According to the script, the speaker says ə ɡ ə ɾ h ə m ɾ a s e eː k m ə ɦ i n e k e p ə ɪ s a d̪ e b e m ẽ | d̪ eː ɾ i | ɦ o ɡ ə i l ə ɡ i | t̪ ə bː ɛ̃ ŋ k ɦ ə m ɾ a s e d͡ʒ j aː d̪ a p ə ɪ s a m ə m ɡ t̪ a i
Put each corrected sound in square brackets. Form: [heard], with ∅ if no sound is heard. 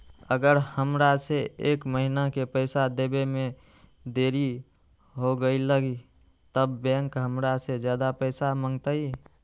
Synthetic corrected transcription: ə ɡ ə ɾ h ə m ɾ a s e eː k m ə ɦ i n [a] k e p ə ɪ s a d̪ e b e m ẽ | d̪ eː ɾ i | ɦ o ɡ ə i l ə ɡ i | t̪ ə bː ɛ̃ ŋ k ɦ ə m ɾ a s e d͡ʒ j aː d̪ a p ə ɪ s a m ə [ŋ] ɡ t̪ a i